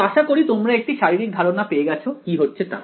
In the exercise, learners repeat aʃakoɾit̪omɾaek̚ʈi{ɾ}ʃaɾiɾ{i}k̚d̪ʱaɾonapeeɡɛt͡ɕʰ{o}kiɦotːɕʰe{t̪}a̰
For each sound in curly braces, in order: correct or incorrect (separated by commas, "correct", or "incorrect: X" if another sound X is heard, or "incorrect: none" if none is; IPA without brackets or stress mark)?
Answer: incorrect: none, correct, correct, correct